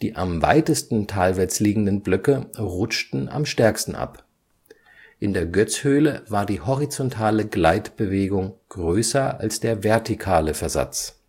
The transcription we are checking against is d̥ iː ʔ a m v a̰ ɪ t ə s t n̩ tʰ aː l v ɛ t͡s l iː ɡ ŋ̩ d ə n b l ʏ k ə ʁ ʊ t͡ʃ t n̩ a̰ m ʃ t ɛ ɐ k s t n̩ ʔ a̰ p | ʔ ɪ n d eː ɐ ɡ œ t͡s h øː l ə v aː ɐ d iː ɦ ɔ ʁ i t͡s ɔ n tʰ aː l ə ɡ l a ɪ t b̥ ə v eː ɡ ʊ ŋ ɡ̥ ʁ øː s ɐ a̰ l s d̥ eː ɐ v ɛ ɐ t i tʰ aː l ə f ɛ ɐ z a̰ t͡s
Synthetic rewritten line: d̥ iː ʔ a m v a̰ ɪ t ə s t n̩ tʰ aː l v ɛ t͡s l iː ɡ ŋ̩ d ə n b l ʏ k ə ʁ ʊ t͡ʃ t n̩ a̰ m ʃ t ɛ ɐ k s t n̩ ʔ a̰ p | ʔ ɪ n d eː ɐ ɡ œ t͡s h øː l ə v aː ɐ d iː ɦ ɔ ʁ i t͡s ɔ n tʰ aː l ə ɡ l a ɪ t b̥ ə v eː ɡ ʊ ŋ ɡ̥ ʁ øː s ɐ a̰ l s d̥ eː ɐ v ɛ ɐ t i kʰ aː l ə f ɛ ɐ z a̰ t͡s

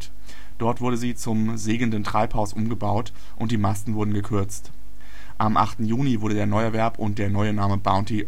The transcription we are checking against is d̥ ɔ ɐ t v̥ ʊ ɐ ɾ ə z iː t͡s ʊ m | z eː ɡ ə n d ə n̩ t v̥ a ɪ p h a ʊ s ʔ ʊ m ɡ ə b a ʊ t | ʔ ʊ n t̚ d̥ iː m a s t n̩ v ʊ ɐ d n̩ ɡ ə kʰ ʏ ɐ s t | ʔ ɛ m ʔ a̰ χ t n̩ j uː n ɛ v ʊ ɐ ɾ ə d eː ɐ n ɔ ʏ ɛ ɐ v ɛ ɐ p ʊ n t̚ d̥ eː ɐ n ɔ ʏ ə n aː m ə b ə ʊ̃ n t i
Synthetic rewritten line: d̥ ɔ ɐ t v̥ ʊ ɐ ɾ ə z iː t͡s ʊ m | z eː ɡ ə n d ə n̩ t ʁ̥ a ɪ p h a ʊ s ʔ ʊ m ɡ ə b a ʊ t | ʔ ʊ n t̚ d̥ iː m a s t n̩ v ʊ ɐ d n̩ ɡ ə kʰ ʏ ɐ t͡s t | ʔ a m ʔ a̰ χ t n̩ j uː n i v ʊ ɐ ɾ ə d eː ɐ n ɔ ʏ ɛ ɐ v ɛ ɐ p ʊ n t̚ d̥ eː ɐ n ɔ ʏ ə n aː m ə b a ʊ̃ n t i

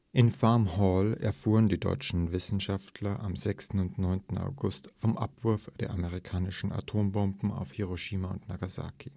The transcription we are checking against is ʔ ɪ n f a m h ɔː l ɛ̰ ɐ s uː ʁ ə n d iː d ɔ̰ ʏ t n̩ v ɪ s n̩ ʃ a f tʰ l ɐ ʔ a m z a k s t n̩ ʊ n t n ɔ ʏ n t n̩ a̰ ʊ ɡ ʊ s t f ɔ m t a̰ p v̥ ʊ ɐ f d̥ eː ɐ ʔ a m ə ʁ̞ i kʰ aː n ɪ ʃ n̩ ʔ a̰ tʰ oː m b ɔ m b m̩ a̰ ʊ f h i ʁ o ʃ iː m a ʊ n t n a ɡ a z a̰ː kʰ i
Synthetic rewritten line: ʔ ɪ n f a m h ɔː l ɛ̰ ɐ f uː ʁ ə n d iː d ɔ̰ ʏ t͡ʃ n̩ v ɪ s n̩ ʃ a f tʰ l ɐ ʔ a m z ɛ k s t n̩ ʊ n t n ɔ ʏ n t n̩ a̰ ʊ ɡ ʊ s t f ɔ m ʔ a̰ p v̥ ʊ ɐ f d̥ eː ɐ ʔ a m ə ʁ̞ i kʰ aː n ɪ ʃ n̩ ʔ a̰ tʰ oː m b ɔ m b m̩ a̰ ʊ f h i ʁ o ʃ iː m a ʊ n t n a ɡ a z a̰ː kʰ i

